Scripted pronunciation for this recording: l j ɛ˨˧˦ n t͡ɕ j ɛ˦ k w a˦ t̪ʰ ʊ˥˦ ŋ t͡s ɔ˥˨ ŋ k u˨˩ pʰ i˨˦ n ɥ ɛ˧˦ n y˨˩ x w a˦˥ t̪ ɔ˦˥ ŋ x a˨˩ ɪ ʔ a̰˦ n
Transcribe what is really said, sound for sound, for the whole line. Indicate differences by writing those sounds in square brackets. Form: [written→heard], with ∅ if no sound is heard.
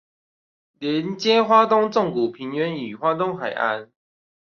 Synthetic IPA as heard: l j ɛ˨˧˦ n t͡ɕ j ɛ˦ [k→x] w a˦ [t̪ʰ→t̪] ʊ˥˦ ŋ t͡s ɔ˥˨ ŋ k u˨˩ pʰ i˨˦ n ɥ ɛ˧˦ n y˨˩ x w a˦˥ t̪ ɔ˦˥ ŋ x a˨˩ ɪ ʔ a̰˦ n